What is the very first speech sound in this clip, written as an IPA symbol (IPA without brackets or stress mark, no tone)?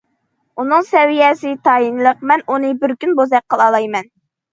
u